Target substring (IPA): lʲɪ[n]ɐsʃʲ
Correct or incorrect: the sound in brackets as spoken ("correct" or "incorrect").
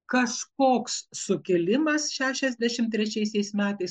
incorrect